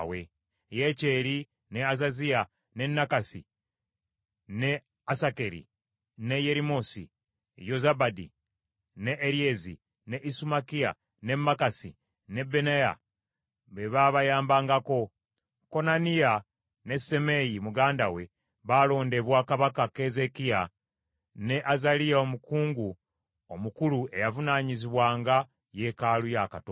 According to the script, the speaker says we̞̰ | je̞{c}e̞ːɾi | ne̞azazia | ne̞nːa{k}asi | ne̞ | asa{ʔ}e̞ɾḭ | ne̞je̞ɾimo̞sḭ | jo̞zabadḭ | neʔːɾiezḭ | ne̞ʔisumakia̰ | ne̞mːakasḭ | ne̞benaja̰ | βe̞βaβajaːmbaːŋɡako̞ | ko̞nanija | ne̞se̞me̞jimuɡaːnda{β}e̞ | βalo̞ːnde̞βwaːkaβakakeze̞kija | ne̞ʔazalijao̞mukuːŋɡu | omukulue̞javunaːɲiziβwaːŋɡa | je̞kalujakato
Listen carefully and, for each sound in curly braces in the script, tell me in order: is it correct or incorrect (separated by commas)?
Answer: correct, correct, incorrect, incorrect